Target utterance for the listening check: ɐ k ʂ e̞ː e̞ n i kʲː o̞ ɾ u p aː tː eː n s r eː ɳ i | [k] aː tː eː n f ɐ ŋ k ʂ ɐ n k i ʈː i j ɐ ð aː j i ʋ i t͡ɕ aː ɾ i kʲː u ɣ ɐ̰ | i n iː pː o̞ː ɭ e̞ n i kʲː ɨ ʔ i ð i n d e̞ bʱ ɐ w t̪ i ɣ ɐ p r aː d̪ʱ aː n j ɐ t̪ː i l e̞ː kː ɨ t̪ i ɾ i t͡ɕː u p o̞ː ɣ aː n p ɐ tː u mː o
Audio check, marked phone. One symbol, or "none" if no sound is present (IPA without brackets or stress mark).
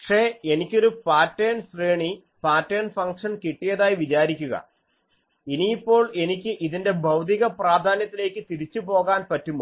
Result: p